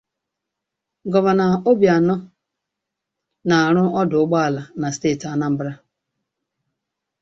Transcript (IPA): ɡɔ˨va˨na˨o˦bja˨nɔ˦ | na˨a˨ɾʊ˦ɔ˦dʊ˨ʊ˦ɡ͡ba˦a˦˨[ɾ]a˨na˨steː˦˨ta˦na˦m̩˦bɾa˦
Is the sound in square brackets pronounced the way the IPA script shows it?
no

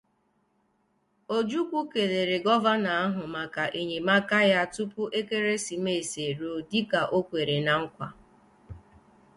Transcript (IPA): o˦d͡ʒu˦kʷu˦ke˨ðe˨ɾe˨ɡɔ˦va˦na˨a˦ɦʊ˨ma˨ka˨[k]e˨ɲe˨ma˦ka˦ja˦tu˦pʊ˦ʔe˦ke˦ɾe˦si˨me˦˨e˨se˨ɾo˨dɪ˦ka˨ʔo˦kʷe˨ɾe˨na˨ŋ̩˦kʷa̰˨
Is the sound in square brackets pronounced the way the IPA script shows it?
no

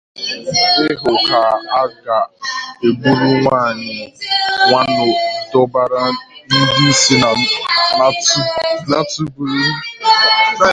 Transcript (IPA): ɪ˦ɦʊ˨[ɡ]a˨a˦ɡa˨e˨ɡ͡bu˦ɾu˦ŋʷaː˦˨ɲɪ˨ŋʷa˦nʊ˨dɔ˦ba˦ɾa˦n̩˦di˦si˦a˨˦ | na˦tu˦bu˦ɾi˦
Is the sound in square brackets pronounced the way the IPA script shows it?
no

